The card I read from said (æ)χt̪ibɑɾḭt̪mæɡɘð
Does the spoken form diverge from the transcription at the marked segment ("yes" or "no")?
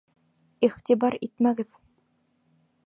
yes